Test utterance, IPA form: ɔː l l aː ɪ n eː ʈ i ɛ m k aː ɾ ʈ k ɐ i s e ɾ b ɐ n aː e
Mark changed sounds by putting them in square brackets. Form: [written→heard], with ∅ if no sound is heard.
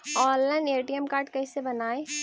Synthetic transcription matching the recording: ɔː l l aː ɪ n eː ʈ i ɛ m k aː ɾ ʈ k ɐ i s e [ɾ→∅] b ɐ n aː e